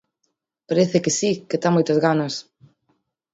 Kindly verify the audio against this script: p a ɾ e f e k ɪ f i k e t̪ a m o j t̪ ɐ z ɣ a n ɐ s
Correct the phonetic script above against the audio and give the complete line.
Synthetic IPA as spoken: p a ɾ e θ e k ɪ s i k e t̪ a m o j t̪ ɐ z ɣ a n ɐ s